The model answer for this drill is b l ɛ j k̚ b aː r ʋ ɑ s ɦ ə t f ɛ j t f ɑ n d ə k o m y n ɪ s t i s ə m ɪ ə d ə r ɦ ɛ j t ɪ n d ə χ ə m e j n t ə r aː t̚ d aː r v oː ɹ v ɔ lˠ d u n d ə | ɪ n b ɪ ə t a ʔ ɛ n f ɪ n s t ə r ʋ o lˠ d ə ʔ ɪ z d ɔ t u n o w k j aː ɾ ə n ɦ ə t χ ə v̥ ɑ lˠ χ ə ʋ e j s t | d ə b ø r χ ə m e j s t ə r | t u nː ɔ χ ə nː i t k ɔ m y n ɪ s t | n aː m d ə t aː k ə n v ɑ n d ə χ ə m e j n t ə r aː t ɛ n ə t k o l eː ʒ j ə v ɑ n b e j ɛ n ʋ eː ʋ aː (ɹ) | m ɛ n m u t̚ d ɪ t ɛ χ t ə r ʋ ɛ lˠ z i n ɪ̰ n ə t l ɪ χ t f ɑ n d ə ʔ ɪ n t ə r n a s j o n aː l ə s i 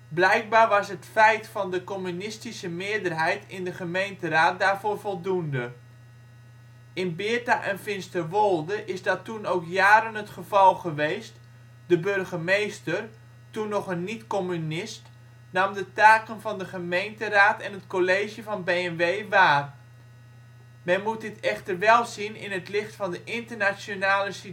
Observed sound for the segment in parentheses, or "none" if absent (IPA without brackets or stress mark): r